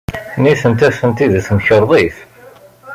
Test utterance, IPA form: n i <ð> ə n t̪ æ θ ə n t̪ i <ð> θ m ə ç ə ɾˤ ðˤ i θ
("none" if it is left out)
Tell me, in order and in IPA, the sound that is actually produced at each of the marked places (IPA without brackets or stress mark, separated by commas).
θ, ð